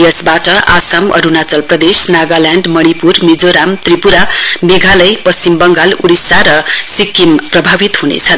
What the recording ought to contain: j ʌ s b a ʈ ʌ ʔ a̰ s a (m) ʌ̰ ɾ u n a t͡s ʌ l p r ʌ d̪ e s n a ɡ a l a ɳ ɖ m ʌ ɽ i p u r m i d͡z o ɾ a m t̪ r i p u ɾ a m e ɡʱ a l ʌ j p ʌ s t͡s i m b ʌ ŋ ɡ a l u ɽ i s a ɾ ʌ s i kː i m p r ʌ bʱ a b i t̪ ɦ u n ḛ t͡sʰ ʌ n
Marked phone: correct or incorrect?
correct